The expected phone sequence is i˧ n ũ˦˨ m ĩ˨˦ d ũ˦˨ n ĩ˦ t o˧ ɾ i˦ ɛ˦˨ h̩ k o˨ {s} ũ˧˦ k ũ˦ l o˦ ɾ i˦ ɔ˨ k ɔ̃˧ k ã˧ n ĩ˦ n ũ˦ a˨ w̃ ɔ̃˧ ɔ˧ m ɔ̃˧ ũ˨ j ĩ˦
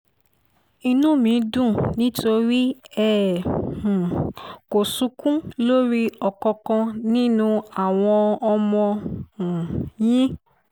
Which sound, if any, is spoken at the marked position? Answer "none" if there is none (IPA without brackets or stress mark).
s